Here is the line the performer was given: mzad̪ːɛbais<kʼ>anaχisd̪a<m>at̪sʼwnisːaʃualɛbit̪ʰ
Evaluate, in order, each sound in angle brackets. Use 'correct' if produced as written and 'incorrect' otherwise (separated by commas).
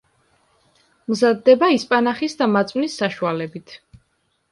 incorrect, correct